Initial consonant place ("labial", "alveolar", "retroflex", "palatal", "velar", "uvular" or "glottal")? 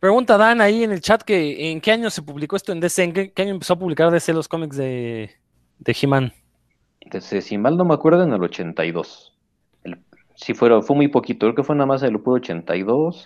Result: labial